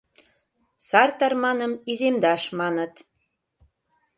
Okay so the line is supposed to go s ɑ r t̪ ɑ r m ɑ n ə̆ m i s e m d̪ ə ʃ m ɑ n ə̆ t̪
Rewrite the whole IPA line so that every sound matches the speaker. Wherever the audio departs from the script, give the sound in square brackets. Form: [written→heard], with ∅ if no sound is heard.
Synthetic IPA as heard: s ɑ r t̪ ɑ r m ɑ n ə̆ m i [s→z] e m d̪ [ə→ɑ] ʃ m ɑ n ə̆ t̪